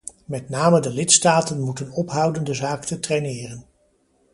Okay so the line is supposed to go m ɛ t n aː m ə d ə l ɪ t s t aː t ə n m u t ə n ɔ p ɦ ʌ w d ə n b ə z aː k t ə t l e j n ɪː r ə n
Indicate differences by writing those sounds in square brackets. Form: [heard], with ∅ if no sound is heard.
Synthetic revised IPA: m ɛ t n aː m ə d ə l ɪ t s t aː t ə n m u t ə n ɔ p ɦ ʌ w d ə n [d] ə z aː k t ə t [r] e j n ɪː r ə n